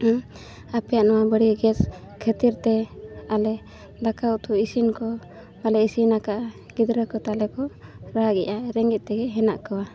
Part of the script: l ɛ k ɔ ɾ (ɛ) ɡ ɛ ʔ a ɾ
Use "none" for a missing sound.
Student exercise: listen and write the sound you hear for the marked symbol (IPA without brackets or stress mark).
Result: a